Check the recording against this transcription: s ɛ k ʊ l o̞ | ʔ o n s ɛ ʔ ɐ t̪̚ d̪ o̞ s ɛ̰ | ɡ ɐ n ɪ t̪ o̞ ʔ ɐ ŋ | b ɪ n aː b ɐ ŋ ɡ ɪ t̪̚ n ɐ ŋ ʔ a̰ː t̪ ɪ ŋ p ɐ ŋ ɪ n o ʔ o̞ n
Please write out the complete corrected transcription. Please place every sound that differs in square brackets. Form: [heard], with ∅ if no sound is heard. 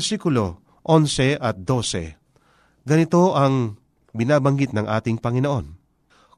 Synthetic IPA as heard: s [i] k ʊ l o̞ | ʔ o n s ɛ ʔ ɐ t̪̚ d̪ o̞ s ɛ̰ | ɡ ɐ n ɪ t̪ o̞ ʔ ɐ ŋ | b ɪ n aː b ɐ ŋ ɡ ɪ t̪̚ n ɐ ŋ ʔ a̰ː t̪ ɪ ŋ p ɐ ŋ ɪ n o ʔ o̞ n